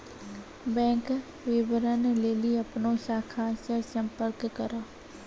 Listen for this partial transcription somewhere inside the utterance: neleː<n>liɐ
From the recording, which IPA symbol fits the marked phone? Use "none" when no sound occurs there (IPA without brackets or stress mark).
none